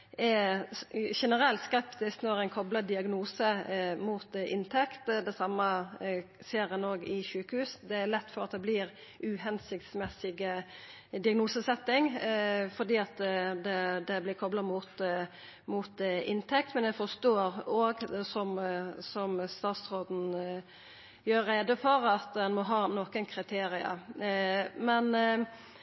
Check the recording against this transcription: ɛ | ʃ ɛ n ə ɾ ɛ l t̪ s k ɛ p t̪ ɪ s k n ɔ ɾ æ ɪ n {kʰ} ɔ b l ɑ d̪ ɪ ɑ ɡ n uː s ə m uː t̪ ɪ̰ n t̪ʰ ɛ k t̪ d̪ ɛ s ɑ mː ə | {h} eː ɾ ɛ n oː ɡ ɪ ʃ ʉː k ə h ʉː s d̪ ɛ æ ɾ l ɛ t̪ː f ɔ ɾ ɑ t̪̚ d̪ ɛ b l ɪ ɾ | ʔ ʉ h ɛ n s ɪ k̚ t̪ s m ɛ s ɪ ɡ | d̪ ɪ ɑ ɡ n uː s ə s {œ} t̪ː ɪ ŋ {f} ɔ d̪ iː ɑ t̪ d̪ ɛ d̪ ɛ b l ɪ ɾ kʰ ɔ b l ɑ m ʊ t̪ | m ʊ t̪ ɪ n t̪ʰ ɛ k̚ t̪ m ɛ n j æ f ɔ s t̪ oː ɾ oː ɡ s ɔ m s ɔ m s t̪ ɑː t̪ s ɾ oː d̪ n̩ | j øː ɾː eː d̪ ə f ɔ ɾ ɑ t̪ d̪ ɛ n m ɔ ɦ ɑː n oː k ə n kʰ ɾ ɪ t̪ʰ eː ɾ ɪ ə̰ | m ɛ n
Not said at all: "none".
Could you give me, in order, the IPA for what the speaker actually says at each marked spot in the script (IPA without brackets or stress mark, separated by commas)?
kʰ, s, ɛ, f